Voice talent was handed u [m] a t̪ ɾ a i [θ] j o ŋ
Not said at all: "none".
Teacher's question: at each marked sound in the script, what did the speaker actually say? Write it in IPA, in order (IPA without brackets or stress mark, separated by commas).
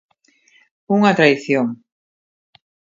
ŋ, θ